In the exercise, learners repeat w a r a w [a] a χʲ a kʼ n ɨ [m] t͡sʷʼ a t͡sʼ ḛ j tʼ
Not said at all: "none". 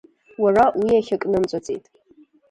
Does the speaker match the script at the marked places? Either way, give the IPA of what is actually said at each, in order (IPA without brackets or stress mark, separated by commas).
i, m